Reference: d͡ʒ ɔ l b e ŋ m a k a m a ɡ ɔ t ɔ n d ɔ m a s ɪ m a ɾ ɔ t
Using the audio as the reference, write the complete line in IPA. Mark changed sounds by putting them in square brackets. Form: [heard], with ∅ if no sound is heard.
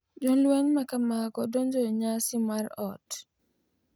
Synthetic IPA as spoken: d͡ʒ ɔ l [w] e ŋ m a k a m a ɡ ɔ [d] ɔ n [d͡ʒ] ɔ [ɲ] a s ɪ m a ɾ ɔ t